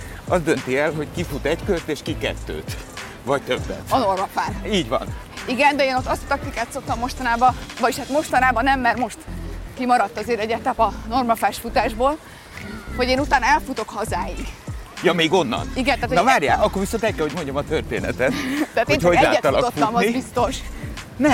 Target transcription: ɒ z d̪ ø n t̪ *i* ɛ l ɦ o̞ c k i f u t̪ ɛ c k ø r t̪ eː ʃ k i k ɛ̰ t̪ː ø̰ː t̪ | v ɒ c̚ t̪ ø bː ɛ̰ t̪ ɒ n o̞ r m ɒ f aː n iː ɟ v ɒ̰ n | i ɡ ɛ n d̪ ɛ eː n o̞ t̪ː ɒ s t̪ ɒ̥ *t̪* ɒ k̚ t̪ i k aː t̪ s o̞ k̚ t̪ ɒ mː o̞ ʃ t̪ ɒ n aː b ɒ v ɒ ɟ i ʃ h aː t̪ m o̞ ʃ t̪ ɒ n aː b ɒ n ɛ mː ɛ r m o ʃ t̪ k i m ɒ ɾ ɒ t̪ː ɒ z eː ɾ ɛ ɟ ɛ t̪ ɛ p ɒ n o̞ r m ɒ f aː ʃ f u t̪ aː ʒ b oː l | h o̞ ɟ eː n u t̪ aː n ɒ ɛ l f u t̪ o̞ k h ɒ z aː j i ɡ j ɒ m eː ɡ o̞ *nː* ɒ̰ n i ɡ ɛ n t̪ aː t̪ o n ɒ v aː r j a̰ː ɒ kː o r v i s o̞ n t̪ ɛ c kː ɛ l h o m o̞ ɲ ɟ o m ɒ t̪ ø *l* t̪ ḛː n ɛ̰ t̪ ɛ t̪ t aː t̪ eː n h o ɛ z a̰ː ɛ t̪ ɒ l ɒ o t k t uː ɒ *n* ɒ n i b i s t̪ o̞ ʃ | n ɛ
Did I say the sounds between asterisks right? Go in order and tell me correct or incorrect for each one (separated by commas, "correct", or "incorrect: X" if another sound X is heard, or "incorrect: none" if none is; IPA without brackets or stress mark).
correct, correct, correct, incorrect: r, incorrect: m